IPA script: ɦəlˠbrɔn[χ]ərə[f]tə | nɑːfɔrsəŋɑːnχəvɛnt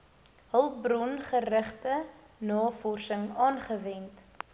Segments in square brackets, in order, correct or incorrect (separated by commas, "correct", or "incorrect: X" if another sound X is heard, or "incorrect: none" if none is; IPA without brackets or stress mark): correct, incorrect: χ